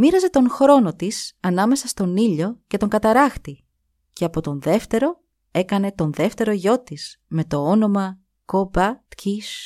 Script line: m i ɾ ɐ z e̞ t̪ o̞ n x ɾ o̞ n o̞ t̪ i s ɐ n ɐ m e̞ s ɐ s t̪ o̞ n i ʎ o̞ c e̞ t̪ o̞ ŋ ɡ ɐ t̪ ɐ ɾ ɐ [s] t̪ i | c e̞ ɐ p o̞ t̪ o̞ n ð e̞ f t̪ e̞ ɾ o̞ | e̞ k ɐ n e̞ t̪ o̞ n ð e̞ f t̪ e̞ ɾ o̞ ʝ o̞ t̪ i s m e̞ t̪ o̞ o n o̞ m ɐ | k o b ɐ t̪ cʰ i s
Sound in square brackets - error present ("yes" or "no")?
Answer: yes